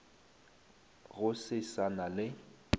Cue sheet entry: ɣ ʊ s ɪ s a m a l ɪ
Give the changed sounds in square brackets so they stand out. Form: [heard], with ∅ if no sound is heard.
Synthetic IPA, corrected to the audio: ɣ ʊ s ɪ s a [n] a l ɪ